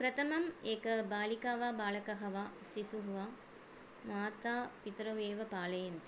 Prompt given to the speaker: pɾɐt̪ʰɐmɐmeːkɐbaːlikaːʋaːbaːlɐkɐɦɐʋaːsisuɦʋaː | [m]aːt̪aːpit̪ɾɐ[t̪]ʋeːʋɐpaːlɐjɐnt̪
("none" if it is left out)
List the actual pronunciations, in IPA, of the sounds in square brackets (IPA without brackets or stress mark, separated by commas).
m, none